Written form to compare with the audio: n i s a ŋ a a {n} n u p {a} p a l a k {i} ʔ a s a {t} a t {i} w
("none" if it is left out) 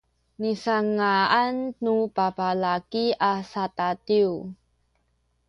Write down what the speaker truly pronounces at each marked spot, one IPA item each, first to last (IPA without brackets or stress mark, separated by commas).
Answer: n, a, i, t, i